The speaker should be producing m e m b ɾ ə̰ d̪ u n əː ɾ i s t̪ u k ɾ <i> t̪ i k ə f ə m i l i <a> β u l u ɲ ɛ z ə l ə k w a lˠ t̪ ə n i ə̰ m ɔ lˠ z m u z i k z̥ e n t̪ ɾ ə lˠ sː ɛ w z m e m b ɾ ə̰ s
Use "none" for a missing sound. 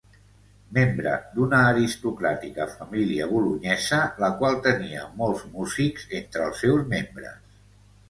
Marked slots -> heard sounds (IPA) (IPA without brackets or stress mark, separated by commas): a, ə